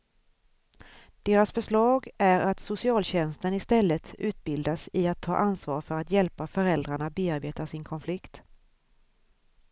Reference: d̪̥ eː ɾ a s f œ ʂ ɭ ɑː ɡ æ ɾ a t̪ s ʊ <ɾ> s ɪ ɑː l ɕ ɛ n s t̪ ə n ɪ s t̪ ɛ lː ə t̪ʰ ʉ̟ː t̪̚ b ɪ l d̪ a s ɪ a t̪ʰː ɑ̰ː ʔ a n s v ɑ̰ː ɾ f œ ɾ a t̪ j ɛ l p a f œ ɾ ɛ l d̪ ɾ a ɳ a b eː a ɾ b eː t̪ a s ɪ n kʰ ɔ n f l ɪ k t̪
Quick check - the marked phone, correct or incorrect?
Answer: incorrect: none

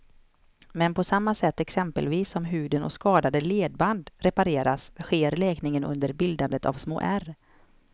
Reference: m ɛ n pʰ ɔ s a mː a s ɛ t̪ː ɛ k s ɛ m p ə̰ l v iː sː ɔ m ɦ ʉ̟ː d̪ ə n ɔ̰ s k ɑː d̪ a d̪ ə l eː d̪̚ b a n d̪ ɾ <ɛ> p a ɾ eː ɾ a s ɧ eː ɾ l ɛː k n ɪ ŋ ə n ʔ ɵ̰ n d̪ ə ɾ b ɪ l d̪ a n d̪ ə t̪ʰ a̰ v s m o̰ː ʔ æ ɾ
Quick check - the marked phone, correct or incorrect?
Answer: correct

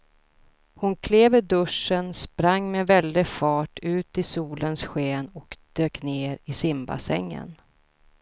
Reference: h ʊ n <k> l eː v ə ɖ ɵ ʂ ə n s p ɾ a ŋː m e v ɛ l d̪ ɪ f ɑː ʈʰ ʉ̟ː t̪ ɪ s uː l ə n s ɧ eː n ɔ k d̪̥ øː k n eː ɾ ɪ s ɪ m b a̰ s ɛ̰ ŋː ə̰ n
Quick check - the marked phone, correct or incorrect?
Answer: incorrect: kʰ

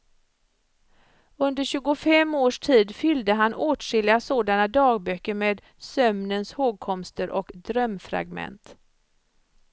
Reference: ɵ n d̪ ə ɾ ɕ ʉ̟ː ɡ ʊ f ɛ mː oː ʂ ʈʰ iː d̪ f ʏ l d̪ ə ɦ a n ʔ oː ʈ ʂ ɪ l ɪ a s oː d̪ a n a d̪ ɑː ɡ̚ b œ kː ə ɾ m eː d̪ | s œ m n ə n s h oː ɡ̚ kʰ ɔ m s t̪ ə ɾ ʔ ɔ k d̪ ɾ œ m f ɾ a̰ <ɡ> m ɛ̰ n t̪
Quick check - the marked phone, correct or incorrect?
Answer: correct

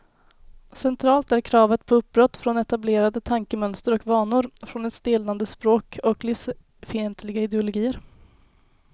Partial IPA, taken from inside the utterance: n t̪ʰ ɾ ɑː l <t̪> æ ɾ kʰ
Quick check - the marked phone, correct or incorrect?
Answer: correct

